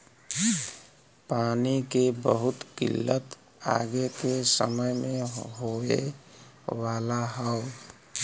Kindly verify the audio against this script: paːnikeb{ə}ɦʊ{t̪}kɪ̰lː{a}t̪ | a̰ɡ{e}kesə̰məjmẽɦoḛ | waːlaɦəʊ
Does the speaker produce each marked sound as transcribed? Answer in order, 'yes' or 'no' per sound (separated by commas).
yes, yes, no, yes